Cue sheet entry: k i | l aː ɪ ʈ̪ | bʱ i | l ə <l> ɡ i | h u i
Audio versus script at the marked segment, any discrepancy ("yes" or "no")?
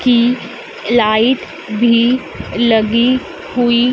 yes